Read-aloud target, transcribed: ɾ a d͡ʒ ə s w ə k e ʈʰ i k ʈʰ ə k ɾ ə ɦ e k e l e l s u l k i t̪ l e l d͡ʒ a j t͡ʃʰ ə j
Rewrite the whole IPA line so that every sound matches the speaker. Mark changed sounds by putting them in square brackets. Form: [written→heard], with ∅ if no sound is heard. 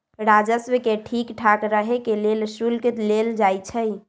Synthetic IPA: ɾ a d͡ʒ ə s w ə k e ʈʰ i k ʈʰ [ə→a] k ɾ ə ɦ e k e l e l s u l k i t̪ l e l d͡ʒ a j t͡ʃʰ ə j